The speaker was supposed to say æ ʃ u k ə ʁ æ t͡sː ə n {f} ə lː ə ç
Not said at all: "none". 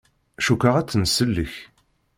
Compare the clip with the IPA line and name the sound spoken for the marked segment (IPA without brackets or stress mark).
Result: s